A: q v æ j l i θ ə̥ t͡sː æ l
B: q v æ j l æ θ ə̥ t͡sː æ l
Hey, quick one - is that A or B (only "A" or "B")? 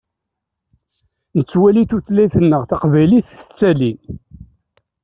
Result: A